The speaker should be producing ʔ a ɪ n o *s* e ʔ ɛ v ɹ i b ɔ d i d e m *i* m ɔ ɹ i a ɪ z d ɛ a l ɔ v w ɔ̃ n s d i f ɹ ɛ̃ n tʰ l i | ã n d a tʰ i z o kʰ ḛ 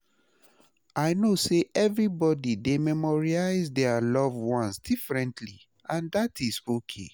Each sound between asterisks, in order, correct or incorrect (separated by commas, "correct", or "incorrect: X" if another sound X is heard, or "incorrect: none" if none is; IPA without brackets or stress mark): correct, incorrect: ɛ